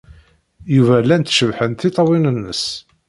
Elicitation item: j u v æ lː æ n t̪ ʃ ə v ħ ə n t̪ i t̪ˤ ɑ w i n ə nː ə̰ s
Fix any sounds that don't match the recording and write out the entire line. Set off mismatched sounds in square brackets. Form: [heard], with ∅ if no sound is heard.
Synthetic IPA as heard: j u v æ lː æ n t̪ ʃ ə v ħ ə n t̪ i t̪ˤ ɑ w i n ə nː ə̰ s